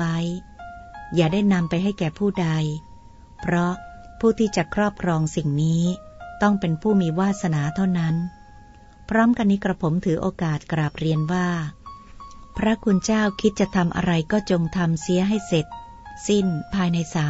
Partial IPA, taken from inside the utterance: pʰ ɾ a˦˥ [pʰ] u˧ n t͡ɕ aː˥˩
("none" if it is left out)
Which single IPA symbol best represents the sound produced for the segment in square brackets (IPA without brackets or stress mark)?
kʰ